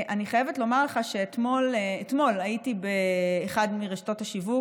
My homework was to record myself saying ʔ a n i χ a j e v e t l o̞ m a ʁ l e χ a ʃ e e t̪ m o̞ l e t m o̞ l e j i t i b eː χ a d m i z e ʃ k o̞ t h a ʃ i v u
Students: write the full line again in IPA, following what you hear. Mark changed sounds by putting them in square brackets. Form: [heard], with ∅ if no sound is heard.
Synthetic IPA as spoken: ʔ a n i χ a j e v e t l o̞ m a ʁ l e χ a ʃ e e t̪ m o̞ l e t m o̞ l [a] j i t i b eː χ a d m i [ʁ] e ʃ [t] o̞ t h a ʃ i v u